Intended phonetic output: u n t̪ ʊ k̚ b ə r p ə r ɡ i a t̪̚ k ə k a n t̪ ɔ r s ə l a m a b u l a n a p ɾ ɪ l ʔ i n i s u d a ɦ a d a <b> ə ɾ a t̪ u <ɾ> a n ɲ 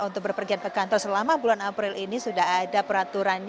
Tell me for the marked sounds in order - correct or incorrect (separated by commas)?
incorrect, correct